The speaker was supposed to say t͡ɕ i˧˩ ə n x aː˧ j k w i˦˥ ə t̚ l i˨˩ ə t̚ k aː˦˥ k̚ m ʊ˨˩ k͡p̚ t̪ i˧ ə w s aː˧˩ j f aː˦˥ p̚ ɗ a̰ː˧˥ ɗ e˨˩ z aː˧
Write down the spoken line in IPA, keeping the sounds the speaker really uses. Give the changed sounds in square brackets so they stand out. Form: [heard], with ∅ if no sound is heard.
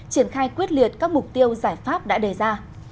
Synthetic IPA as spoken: t͡ɕ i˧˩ ə n x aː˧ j k w i˦˥ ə t̚ l i˨˩ ə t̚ k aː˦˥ k̚ m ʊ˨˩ k͡p̚ t̪ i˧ ə w [z] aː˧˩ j f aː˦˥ p̚ ɗ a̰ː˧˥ ɗ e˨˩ z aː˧